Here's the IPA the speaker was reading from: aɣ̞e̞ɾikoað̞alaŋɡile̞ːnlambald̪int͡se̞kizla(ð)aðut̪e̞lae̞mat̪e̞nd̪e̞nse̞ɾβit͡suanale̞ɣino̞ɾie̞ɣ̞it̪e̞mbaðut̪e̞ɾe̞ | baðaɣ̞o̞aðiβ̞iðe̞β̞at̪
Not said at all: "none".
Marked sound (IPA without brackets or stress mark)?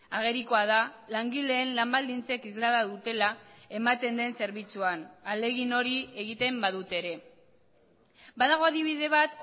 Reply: ð